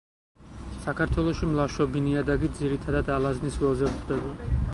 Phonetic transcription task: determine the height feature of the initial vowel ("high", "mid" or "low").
low